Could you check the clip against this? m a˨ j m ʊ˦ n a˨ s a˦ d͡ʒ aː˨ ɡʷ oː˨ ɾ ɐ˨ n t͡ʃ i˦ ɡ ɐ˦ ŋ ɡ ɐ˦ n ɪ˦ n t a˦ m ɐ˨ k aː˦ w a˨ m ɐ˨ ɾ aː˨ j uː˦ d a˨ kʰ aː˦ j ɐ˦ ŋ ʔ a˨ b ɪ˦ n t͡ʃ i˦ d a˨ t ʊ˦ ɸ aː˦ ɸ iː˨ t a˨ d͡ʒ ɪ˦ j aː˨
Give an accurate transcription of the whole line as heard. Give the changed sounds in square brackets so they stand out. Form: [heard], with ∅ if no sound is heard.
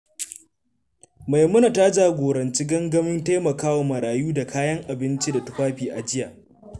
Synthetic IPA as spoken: m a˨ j m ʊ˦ n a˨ [t] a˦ d͡ʒ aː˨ ɡʷ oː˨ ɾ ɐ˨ n t͡ʃ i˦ ɡ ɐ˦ ŋ ɡ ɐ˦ [m] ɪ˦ n t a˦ m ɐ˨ k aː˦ w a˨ m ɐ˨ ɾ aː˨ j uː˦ d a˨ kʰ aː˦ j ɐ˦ ŋ ʔ a˨ b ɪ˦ n t͡ʃ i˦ d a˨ t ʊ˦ ɸ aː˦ ɸ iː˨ [ʔ] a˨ d͡ʒ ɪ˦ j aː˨